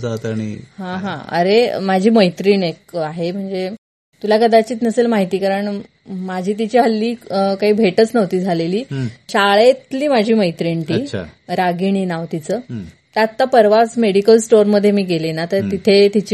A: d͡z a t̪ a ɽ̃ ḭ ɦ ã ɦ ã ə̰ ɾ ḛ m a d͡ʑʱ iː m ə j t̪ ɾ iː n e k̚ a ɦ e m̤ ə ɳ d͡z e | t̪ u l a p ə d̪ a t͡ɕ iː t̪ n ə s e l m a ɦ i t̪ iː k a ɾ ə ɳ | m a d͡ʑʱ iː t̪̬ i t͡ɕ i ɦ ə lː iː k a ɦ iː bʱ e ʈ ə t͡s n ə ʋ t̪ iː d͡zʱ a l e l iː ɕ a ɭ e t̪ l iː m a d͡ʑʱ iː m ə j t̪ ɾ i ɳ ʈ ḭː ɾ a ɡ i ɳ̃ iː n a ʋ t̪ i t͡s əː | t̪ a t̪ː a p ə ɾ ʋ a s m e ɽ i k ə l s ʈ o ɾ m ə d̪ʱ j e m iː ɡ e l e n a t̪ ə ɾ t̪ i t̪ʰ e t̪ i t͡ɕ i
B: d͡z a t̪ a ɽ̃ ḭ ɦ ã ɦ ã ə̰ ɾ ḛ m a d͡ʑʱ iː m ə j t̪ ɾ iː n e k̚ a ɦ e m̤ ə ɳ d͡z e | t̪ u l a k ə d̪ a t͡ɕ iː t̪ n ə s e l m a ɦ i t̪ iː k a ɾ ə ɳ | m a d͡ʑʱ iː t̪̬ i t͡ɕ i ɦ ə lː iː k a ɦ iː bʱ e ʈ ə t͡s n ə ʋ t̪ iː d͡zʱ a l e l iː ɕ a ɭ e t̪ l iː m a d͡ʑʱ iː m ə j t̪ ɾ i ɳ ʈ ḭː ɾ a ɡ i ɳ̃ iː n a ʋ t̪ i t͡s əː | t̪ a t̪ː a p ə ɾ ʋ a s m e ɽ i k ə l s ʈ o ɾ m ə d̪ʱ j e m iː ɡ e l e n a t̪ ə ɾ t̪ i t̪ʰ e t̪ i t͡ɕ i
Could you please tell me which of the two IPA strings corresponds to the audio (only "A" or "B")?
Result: B